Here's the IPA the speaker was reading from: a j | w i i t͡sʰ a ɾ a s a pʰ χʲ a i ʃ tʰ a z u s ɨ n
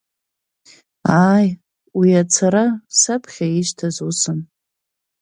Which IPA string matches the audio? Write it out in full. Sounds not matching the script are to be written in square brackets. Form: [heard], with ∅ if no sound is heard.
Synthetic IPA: a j | w i [a] t͡sʰ a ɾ a s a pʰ χʲ a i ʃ tʰ a z u s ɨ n